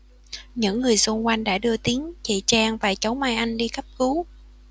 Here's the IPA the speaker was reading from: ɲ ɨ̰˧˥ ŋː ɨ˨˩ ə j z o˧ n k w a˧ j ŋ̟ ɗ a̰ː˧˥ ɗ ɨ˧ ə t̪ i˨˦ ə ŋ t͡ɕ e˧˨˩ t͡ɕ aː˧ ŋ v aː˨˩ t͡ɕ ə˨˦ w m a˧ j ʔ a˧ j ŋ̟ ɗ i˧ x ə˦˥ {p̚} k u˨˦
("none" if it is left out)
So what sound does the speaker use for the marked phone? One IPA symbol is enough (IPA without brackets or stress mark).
p̚